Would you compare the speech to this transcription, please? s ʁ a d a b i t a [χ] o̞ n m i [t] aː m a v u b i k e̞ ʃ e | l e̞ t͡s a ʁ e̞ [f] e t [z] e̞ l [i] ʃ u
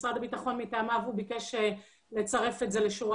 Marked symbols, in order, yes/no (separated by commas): yes, yes, yes, yes, no